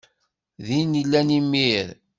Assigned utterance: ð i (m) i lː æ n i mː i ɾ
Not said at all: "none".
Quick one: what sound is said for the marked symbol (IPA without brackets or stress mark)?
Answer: n